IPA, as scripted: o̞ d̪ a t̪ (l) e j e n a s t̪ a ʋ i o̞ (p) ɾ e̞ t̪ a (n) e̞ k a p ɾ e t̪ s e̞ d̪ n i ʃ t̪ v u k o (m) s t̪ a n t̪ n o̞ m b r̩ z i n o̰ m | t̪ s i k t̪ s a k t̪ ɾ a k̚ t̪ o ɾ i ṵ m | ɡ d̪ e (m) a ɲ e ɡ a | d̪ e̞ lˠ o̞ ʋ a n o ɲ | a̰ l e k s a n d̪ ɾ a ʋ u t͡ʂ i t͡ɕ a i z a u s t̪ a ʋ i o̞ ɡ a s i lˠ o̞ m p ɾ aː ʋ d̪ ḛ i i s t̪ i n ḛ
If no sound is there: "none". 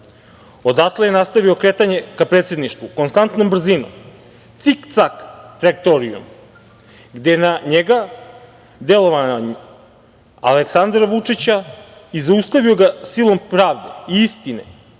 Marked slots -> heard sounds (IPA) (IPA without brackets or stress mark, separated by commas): l, k, ɲ, n, n